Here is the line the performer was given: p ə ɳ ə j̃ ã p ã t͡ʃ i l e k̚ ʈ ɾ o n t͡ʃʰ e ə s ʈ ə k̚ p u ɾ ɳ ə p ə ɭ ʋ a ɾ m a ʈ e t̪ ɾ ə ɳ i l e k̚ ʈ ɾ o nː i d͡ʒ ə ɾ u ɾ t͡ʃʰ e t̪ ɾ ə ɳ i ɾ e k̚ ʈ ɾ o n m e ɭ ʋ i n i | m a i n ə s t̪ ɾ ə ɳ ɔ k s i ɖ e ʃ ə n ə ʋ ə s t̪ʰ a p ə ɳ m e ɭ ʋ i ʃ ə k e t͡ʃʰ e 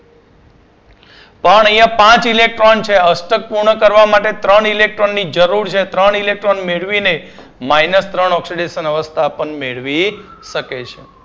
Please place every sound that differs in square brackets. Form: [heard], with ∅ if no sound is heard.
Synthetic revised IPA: p ə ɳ ə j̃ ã p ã t͡ʃ i l e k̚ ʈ ɾ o n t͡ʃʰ e ə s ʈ ə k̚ p u ɾ ɳ ə [k] ə [ɾ] ʋ a [∅] m a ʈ e t̪ ɾ ə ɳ i l e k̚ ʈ ɾ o nː i d͡ʒ ə ɾ u ɾ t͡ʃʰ e t̪ ɾ ə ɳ i [l] e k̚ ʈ ɾ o n m e ɭ ʋ i n [e] | m a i n ə s t̪ ɾ ə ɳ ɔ k s i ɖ e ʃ ə n ə ʋ ə s t̪ʰ a p ə ɳ m e ɭ ʋ i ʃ ə k e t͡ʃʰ e

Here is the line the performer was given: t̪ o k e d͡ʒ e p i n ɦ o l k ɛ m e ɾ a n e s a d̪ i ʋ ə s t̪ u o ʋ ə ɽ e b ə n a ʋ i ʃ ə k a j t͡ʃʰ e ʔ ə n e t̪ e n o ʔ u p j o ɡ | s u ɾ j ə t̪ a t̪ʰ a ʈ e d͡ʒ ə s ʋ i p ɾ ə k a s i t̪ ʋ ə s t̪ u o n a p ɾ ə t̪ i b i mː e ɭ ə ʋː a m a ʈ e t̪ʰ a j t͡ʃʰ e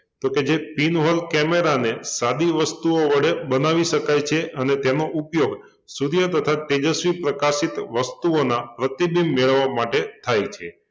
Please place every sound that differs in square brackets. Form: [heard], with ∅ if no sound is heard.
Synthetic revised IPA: t̪ o k e d͡ʒ e p i n ɦ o l k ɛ m e ɾ a n e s a d̪ i ʋ ə s t̪ u o ʋ ə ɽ e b ə n a ʋ i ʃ ə k a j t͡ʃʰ e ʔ ə n e t̪ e n o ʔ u p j o ɡ | s u ɾ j ə t̪ [ə] t̪ʰ a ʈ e d͡ʒ ə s ʋ i p ɾ ə k a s i t̪ ʋ ə s t̪ u o n a p ɾ ə t̪ i b i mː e ɭ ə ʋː a m a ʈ e t̪ʰ a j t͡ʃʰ e

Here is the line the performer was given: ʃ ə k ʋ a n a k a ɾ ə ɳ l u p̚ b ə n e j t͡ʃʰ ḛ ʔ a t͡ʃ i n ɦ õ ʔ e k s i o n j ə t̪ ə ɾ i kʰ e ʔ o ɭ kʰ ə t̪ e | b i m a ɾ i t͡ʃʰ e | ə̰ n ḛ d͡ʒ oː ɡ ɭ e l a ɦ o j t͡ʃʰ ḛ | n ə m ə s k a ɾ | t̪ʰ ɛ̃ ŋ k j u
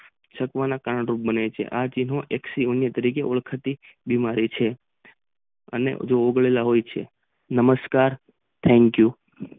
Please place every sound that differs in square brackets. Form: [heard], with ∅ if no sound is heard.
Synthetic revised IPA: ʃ ə k ʋ a n a k a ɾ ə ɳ [ɾ] u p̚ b ə n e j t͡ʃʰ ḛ ʔ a t͡ʃ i n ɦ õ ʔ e k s i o n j ə t̪ ə ɾ i [k] e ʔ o ɭ kʰ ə t̪ [i] | b i m a ɾ i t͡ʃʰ e | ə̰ n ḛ d͡ʒ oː ɡ ɭ e l a ɦ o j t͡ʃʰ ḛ | n ə m ə s k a ɾ | t̪ʰ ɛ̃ ŋ k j u

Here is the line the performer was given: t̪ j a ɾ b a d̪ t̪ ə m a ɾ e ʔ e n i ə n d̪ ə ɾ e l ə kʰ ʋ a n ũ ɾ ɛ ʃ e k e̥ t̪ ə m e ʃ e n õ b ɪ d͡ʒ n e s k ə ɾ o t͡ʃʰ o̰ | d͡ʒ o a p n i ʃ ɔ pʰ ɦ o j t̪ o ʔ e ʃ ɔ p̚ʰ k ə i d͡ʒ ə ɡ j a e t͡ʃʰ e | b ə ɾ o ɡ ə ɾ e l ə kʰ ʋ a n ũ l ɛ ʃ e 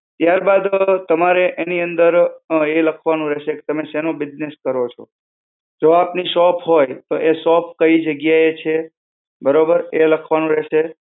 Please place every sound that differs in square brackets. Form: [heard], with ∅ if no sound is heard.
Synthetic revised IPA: t̪ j a ɾ b a d̪ t̪ ə m a ɾ e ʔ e n i ə n d̪ ə ɾ e l ə kʰ ʋ a n ũ ɾ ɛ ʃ e k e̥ t̪ ə m e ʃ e n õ b ɪ d͡ʒ n e s k ə ɾ o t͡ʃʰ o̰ | d͡ʒ o a p n i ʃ ɔ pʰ ɦ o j t̪ o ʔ e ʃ ɔ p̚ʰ k ə i d͡ʒ ə ɡ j a e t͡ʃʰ e | b ə ɾ o [b] ə ɾ e l ə kʰ ʋ a n ũ [ɾ] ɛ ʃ e

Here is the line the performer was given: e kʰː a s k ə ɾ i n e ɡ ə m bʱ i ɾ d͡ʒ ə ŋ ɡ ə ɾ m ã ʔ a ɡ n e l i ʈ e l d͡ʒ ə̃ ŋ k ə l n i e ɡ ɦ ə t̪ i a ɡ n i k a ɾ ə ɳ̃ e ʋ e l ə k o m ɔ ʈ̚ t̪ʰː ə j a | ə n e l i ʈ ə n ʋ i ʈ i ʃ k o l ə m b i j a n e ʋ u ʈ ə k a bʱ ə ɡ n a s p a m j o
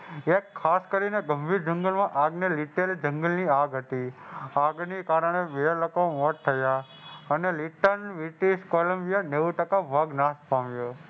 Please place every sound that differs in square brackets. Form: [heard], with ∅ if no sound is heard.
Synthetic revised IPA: e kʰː a s k ə ɾ i n e ɡ ə m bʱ i ɾ d͡ʒ ə ŋ ɡ ə [l] m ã ʔ a ɡ n e l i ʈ e l d͡ʒ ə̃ ŋ [ɡ] ə l n i [a] ɡ ɦ ə t̪ i a ɡ n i k a ɾ ə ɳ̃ e ʋ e l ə k o m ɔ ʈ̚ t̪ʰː ə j a | ə n e l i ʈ ə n ʋ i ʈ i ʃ k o l ə m b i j a n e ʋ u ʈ ə k a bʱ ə ɡ n a s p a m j o

